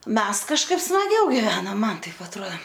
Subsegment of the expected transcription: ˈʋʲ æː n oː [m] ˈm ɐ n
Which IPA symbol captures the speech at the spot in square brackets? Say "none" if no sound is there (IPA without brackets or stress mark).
m